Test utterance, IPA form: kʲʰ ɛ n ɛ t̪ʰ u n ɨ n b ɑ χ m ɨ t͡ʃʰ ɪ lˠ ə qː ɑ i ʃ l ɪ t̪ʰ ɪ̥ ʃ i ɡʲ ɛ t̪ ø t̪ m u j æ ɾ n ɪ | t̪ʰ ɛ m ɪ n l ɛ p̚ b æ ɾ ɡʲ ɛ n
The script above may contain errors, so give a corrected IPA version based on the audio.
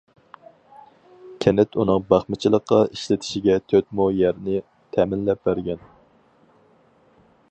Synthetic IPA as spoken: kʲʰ ɛ n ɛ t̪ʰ u n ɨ ŋ b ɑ χ m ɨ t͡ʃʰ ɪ lˠ ə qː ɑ i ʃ l ɪ t̪ʰ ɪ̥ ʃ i ɡʲ ɛ t̪ʰ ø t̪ m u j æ ɾ n ɪ | t̪ʰ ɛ m ɪ n l ɛ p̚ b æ ɾ ɡʲ ɛ n